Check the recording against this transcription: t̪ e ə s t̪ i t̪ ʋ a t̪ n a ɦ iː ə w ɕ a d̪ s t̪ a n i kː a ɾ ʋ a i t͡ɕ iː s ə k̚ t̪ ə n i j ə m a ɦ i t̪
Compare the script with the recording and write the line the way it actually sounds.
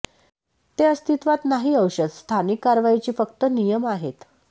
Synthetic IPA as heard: t̪ e ə s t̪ i t̪ ʋ a t̪ n a ɦ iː ə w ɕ ə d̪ s t̪ʰ a n i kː a ɾ ʋ a i t͡ɕ iː f ə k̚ t̪ ə n i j ə m a ɦ e t̪

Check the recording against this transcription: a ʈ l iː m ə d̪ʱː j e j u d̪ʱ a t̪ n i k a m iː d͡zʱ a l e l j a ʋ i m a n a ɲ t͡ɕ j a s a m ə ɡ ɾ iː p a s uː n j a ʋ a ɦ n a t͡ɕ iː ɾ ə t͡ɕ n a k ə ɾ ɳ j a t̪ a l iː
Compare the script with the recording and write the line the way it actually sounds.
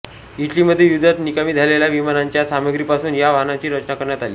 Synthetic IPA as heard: i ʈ l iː m ə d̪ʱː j e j u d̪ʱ a t̪ n i k a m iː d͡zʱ a l e l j a ʋ i m a n a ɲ t͡ɕ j a s a m ə ɡ ɾ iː p a s uː n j a ʋ a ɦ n a t͡ɕ iː ɾ ə t͡ɕ n a k ə ɾ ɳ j a t̪ a l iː

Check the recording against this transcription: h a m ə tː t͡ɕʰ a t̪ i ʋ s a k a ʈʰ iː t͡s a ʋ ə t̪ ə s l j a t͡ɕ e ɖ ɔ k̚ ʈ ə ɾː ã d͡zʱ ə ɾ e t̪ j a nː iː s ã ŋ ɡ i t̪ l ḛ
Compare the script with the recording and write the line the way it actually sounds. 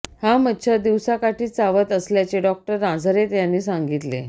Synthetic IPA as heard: h a m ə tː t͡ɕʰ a d̪ i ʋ s a k a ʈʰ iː t͡s a ʋ ə t̪ ə s l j a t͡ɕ e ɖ ɔ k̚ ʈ ə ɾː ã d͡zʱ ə ɾ e t̪ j a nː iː s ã ŋ ɡ i t̪ l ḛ

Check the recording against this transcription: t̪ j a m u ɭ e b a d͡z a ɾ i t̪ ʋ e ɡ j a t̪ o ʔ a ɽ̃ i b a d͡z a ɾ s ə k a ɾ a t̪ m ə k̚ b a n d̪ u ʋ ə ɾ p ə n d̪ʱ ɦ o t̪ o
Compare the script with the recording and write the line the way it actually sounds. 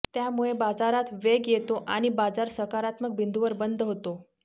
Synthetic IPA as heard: t̪ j a m u ɭ e b a d͡z a ɾ a t̪ ʋ e ɡ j e t̪ o ʔ a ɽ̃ i b a d͡z a ɾ s ə k a ɾ a t̪ m ə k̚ b i n d̪ u ʋ ə ɾ b ə n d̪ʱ ɦ o t̪ o

